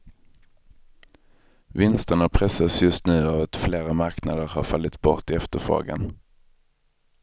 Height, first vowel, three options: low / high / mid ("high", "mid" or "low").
high